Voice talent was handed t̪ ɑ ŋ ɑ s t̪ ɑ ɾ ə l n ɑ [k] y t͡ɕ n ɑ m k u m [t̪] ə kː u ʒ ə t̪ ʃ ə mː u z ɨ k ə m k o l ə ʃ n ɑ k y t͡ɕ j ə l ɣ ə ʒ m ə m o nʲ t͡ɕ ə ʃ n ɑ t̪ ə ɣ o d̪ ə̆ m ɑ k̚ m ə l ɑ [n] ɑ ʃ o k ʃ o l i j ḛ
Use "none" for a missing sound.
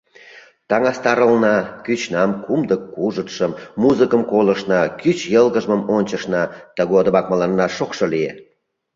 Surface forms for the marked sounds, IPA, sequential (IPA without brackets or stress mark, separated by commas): k, d̪, nː